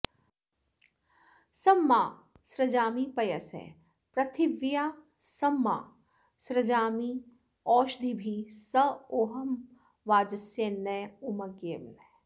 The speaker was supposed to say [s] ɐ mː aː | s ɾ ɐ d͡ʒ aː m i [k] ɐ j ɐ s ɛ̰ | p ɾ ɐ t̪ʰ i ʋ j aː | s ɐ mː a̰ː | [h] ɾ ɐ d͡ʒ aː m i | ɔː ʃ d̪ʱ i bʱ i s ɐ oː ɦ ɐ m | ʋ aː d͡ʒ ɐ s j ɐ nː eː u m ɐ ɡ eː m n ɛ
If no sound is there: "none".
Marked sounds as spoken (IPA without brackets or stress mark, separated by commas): s, p, s